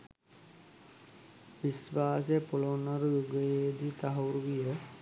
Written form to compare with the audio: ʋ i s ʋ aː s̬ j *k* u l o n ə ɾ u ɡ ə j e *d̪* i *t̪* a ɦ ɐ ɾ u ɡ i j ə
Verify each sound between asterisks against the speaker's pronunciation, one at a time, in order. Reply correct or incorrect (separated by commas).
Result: incorrect, correct, correct